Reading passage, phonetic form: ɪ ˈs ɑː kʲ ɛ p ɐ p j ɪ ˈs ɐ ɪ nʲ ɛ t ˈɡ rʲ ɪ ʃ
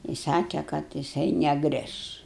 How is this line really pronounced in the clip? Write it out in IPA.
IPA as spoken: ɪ ˈs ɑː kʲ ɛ k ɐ t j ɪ ˈs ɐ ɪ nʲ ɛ ˈɡ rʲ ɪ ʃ